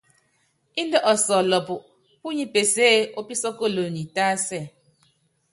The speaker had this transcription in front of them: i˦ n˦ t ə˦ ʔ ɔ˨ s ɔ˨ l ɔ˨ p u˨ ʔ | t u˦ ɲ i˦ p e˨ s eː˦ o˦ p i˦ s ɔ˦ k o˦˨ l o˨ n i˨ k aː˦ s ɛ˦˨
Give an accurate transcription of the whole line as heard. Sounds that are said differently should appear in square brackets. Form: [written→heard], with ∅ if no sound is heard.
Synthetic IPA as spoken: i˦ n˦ [t→d] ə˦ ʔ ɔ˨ s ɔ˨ l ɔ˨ p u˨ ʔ | [t→p] u˦ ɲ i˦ p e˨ s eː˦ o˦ p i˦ s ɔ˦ k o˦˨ l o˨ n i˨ [k→t] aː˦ s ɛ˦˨